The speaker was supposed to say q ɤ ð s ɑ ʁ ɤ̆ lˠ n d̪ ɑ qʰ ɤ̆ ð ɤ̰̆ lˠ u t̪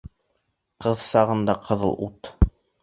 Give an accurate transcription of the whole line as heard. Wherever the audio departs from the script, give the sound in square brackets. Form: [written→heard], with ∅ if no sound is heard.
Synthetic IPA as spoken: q ɤ ð s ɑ ʁ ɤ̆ [lˠ→∅] n d̪ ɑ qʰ ɤ̆ ð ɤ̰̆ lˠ u t̪